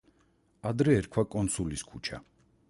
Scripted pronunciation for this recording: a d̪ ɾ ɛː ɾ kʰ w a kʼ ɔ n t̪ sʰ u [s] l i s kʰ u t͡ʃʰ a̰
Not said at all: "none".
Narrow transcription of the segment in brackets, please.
none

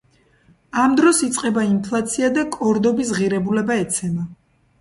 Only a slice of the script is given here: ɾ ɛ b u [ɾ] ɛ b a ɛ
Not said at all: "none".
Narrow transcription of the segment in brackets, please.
l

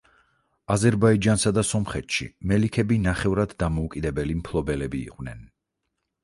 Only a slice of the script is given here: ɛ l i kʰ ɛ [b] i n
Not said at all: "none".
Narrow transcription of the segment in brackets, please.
b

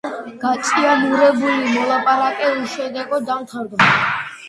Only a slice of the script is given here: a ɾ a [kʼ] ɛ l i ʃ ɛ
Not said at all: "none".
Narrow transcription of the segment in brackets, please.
kʼ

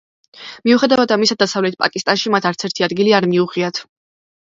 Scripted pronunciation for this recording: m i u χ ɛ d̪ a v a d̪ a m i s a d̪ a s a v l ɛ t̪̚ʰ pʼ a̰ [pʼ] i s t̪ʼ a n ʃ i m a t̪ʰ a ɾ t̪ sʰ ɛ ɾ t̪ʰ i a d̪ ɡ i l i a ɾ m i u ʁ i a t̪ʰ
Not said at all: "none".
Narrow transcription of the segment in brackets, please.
kʼ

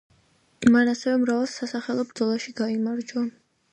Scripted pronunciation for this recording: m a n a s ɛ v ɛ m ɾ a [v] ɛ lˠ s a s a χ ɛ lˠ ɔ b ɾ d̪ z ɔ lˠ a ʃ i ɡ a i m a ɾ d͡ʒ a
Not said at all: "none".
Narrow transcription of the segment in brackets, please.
v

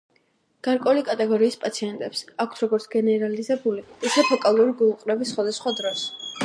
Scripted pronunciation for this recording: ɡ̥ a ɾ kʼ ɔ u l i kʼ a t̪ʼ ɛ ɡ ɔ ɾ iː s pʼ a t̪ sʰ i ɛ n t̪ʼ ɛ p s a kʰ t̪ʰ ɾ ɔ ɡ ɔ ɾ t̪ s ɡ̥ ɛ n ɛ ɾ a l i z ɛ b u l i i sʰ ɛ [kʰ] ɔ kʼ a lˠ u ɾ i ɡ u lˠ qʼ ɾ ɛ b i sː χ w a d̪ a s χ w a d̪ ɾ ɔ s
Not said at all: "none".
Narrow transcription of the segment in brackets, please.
pʰ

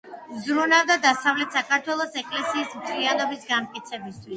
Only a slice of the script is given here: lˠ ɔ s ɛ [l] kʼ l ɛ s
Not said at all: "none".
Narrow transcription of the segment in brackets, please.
none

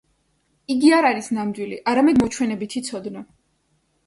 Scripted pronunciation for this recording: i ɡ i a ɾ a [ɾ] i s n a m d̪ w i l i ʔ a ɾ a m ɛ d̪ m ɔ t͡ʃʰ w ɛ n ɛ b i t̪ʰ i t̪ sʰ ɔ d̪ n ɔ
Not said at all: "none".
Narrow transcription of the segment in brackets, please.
ɾ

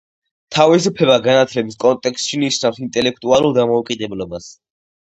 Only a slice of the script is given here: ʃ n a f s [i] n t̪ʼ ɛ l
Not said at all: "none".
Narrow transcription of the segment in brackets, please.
i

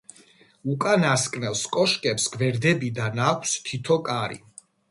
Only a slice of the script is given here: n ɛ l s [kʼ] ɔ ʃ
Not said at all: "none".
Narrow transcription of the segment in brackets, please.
kʼ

